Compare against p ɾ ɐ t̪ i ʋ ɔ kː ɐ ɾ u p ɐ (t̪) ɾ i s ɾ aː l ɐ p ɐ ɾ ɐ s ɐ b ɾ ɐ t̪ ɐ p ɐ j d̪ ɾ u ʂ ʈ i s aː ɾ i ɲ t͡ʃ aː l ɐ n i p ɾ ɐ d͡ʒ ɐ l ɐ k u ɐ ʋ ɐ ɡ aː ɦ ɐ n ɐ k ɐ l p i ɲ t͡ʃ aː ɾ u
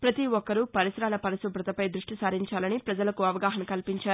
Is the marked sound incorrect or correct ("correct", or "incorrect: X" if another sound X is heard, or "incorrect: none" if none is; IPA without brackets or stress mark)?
incorrect: none